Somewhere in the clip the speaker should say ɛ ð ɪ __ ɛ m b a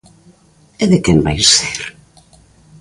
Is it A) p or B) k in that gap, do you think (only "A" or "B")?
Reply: B